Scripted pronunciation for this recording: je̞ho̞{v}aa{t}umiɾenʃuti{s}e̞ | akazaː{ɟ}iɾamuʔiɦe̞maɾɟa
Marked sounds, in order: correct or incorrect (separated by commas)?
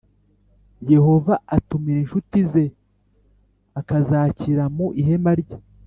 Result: correct, correct, incorrect, incorrect